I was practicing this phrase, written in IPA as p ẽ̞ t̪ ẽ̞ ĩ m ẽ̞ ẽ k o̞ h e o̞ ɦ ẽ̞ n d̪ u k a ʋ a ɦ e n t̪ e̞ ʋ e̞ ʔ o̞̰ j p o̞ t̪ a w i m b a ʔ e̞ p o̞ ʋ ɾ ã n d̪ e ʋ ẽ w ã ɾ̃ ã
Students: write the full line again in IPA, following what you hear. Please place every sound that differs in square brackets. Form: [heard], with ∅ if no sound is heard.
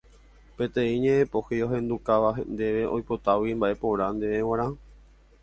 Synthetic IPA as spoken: p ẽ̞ t̪ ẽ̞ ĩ [ɲ] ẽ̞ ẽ [p] o̞ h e o̞ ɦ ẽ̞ n d̪ u k a ʋ a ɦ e n [d̪] e̞ ʋ e̞ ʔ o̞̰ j p o̞ t̪ a w i m b a ʔ e̞ p o̞ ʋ ɾ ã n d̪ e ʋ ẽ w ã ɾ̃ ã